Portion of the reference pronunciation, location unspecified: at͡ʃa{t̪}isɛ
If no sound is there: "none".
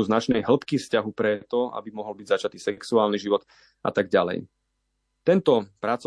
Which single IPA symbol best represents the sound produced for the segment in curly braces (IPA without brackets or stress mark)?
t̪